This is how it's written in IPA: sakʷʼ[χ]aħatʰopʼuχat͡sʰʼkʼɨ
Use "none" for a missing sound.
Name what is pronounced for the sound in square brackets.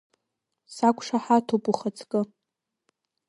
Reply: ʂ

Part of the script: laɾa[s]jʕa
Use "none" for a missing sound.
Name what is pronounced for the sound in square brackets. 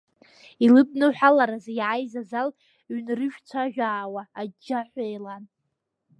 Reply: z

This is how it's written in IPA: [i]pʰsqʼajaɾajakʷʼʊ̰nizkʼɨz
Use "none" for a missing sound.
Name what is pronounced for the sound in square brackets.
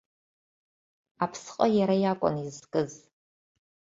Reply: a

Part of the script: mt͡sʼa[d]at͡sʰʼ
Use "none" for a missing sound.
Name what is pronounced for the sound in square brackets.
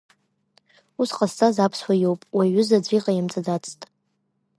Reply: d͡z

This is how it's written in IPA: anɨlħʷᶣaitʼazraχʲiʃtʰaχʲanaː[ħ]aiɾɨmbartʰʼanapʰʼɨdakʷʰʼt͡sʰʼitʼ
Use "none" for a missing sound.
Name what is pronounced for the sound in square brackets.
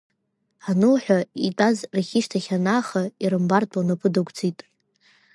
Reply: χ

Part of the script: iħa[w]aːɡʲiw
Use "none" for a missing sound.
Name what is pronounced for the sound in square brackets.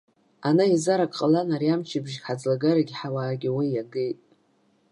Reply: w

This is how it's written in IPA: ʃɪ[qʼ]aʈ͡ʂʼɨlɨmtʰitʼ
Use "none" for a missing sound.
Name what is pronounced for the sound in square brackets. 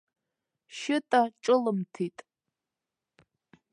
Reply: tʼ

